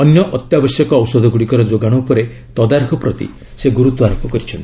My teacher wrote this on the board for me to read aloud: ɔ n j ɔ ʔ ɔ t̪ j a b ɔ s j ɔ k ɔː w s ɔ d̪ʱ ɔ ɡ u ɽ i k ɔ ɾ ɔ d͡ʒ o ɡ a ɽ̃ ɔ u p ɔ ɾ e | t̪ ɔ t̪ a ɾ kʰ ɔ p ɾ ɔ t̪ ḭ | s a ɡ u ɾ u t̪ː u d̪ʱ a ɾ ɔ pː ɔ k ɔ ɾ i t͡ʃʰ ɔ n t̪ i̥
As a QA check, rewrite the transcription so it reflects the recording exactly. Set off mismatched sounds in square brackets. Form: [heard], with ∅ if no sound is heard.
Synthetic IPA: ɔ n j ɔ ʔ ɔ t̪ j a b ɔ s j ɔ k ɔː w s ɔ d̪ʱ ɔ ɡ u ɽ i k ɔ ɾ ɔ d͡ʒ o ɡ a ɽ̃ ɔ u p ɔ ɾ e | t̪ ɔ [d̪] a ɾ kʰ ɔ p ɾ ɔ t̪ ḭ | s [e] ɡ u ɾ u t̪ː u [∅] a ɾ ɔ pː ɔ k ɔ ɾ i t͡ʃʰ ɔ n t̪ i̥

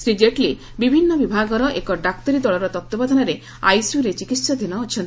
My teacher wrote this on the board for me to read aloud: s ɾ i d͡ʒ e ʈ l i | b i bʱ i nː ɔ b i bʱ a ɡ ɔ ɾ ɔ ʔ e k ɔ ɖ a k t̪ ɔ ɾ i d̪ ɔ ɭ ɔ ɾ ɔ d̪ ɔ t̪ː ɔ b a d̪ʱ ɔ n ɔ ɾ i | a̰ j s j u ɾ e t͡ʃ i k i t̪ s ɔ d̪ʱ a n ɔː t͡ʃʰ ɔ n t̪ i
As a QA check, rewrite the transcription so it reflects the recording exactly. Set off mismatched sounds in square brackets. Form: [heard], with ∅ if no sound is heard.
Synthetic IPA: s ɾ i d͡ʒ e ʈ l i | b i bʱ i nː ɔ b i bʱ a ɡ ɔ ɾ ɔ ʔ e k ɔ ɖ a k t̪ ɔ ɾ i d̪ ɔ ɭ ɔ ɾ ɔ [t̪] ɔ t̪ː ɔ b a d̪ʱ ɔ n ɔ ɾ [e] | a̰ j s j u ɾ e t͡ʃ i k i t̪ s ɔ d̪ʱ [i] n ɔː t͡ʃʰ ɔ n t̪ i

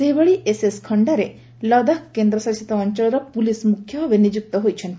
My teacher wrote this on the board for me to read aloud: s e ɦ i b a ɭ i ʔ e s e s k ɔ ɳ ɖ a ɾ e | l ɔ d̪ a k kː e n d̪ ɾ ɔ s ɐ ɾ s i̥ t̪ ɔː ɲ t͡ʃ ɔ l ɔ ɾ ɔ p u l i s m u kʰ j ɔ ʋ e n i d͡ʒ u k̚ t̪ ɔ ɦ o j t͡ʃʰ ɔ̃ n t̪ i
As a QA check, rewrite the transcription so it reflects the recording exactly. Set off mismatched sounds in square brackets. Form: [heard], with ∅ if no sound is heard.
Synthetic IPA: s e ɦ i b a ɭ i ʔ e s e s [kʰ] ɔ ɳ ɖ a ɾ e | l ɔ d̪ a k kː e n d̪ ɾ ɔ s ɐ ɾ s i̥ t̪ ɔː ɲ t͡ʃ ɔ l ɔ ɾ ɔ p u l i s m u kʰ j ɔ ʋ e n i d͡ʒ u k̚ t̪ ɔ ɦ o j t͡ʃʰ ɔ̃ n t̪ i

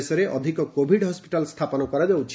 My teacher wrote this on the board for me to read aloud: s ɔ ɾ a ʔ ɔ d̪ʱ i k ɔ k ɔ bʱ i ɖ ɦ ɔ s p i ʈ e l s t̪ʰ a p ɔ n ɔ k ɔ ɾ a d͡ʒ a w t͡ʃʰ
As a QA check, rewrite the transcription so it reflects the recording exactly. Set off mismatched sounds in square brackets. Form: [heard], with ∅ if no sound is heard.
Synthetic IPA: s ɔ ɾ [e] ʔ ɔ d̪ʱ i k ɔ k [o] bʱ i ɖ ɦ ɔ s p i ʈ [a] l s t̪ʰ a p ɔ n ɔ k ɔ ɾ a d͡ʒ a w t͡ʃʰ

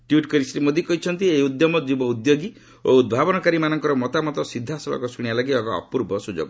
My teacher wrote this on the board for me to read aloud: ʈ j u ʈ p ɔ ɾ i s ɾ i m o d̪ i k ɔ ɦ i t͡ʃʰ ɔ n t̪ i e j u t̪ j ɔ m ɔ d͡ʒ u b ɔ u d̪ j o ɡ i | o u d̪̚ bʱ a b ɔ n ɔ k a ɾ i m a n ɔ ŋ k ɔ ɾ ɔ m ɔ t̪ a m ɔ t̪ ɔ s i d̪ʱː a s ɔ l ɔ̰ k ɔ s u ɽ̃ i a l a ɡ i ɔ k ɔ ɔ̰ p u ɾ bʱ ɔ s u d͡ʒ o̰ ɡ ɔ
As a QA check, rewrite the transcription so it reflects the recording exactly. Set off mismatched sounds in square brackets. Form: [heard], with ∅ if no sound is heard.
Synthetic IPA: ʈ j u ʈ [k] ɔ ɾ i s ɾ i m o d̪ i k ɔ ɦ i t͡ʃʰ ɔ n t̪ i e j u [d̪] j ɔ m ɔ d͡ʒ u b ɔ u d̪ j o ɡ i | o u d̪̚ bʱ a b ɔ n ɔ k a ɾ i m a n ɔ ŋ k ɔ ɾ ɔ m ɔ t̪ a m ɔ t̪ ɔ s i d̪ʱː a s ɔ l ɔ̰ k ɔ s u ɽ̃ i a l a ɡ i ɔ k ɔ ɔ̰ p u ɾ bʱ ɔ s u d͡ʒ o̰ ɡ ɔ

